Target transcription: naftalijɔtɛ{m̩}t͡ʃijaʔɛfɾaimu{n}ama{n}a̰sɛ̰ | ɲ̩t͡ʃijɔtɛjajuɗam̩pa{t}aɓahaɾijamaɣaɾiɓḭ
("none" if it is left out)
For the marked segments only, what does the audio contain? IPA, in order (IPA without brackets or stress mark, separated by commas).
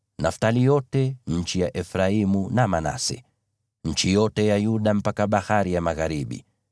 ɲ̩, n, n, k